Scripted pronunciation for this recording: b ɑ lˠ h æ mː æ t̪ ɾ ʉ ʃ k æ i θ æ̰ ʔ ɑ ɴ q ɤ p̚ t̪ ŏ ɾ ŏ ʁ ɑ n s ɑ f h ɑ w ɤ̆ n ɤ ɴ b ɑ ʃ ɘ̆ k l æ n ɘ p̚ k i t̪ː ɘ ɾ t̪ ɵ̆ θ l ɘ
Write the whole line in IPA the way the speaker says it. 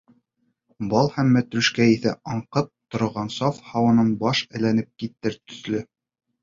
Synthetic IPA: b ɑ lˠ h æ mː æ t̪ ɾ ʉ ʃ k æ i θ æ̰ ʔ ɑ ɴ q ɤ p̚ t̪ ŏ ɾ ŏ ʁ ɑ n s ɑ f h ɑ w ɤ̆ n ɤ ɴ b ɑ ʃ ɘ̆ l æ n ɘ p̚ k i t̪ː ɘ ɾ t̪ ɵ̆ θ l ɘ

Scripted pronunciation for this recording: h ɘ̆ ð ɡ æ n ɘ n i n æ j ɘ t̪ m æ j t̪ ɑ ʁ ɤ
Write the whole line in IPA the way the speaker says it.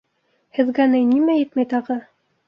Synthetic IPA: h ɘ̆ ð ɡ æ n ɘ n i m æ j ɘ t̪ m æ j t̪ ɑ ʁ ɤ

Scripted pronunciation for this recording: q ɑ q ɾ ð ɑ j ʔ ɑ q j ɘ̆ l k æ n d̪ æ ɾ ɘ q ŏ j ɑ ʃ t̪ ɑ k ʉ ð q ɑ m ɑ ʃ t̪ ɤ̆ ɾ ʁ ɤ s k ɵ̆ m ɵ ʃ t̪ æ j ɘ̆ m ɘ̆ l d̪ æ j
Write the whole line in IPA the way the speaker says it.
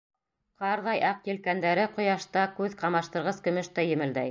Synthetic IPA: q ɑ ɾ ð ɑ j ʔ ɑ q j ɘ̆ l k æ n d̪ æ ɾ ɘ q ŏ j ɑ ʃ t̪ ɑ k ʉ ð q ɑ m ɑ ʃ t̪ ɤ̆ ɾ ʁ ɤ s k ɵ̆ m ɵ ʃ t̪ æ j ɘ̆ m ɘ̆ l d̪ æ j

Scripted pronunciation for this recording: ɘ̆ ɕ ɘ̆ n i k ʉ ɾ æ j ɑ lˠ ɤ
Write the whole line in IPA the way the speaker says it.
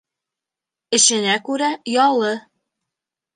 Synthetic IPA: ɘ̆ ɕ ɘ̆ n æ k ʉ ɾ æ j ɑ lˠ ɤ

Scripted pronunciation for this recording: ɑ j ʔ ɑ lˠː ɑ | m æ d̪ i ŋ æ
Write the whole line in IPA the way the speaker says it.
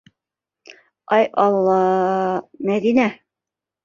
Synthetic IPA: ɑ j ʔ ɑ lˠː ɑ | m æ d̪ i n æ

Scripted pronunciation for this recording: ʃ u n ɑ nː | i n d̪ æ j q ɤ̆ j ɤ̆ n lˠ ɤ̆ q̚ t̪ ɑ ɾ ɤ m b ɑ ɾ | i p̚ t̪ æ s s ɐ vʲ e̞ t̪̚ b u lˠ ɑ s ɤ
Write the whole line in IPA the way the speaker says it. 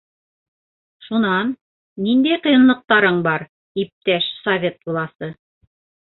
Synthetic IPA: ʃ u n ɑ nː | i n d̪ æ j q ɤ̆ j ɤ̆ n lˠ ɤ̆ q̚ t̪ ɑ ɾ ɤ ɴ b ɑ ɾ | i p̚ t̪ æ ʃ s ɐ vʲ e̞ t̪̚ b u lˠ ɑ s ɤ

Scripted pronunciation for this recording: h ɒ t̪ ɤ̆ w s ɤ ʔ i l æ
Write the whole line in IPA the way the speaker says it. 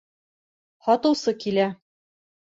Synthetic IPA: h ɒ t̪ ɤ̆ w s ɤ k i l æ

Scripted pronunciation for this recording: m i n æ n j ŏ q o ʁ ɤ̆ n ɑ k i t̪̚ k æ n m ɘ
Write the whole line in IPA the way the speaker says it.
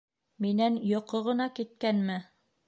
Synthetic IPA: m i n æ n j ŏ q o ʁ ɤ̆ n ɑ k i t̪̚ k æ n m ɘ

